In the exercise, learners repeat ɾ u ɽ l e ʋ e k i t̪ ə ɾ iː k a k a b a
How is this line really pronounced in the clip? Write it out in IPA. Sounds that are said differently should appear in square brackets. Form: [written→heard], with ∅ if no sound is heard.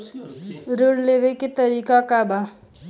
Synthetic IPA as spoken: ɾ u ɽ l e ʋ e k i t̪ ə ɾ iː k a k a b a